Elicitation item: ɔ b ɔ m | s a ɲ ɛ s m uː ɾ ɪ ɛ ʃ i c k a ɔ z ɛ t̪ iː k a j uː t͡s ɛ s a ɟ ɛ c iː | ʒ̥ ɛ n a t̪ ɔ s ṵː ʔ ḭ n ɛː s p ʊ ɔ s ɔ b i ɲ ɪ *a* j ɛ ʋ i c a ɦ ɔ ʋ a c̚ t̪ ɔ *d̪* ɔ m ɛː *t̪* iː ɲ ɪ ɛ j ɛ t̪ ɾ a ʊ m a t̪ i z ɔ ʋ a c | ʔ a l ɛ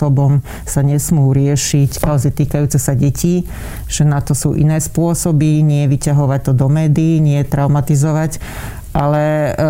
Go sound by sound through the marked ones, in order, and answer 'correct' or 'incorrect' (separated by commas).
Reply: incorrect, correct, incorrect